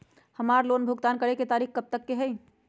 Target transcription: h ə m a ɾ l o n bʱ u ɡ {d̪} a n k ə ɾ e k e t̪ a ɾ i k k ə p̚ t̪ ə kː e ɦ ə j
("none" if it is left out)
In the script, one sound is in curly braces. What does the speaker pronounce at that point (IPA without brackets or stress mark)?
t̪